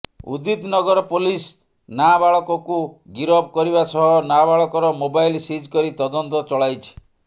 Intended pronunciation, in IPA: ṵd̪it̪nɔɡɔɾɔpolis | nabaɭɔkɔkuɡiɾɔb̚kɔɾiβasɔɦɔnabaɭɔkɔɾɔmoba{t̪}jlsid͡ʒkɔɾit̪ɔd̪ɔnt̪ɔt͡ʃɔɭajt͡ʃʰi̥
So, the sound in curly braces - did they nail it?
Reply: no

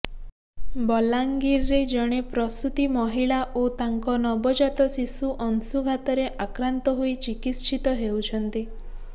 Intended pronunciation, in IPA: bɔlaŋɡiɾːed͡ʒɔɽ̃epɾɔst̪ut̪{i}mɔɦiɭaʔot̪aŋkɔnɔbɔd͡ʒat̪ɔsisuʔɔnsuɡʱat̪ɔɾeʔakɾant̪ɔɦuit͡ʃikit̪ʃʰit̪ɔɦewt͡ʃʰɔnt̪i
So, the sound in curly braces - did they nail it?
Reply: yes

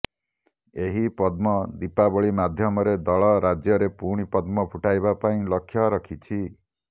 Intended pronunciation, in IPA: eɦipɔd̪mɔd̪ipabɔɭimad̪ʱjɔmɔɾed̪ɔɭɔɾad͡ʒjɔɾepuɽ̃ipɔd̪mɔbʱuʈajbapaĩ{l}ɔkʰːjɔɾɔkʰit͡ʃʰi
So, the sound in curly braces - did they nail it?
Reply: yes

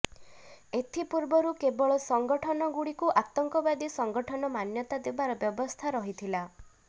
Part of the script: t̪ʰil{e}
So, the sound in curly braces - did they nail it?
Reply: no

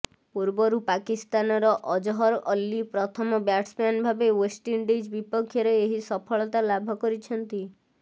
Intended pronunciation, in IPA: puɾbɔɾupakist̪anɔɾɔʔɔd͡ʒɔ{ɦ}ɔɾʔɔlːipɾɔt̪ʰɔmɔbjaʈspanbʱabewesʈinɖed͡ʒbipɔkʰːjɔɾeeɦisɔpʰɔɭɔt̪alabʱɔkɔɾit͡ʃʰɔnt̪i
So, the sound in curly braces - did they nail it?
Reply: yes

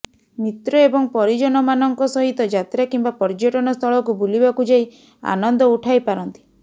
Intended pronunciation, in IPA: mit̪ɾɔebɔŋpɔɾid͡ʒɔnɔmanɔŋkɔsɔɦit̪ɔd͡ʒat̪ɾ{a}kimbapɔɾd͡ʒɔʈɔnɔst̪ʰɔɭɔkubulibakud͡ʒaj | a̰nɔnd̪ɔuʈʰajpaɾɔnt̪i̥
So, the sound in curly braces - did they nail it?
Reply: yes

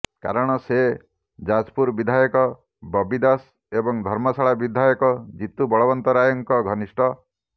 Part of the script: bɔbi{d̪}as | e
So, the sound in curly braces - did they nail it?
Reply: yes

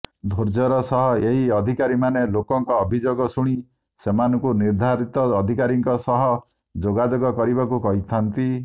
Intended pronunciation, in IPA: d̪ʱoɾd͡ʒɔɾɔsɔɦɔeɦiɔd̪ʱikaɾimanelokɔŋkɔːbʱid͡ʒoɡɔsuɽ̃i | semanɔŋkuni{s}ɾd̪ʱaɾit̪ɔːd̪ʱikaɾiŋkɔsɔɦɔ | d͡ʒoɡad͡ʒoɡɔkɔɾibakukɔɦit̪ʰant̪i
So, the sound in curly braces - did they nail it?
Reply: no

